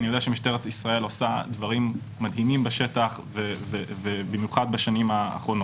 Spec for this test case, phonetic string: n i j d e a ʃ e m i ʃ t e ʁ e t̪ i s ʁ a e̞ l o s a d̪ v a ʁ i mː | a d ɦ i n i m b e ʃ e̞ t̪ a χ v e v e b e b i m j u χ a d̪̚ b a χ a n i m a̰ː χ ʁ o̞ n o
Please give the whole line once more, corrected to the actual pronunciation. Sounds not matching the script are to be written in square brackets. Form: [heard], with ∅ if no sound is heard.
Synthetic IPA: n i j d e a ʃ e m i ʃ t e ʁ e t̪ i s ʁ a e̞ l o s a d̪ v a ʁ i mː | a d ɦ i [m] i m b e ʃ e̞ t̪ a χ v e v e [v] e b i m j u χ a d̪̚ b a [ʃ] a n i m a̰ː χ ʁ o̞ n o